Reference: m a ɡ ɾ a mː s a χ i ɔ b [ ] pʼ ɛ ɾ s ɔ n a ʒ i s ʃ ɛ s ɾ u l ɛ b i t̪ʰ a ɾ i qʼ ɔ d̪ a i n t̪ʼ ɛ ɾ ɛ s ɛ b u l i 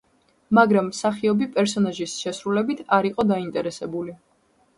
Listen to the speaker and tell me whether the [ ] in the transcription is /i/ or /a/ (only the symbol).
i